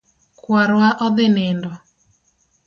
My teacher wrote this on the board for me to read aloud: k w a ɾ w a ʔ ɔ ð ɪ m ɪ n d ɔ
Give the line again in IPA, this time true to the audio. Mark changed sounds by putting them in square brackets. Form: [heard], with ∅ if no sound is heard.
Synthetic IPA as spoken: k w a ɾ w a ʔ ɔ ð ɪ [n] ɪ n d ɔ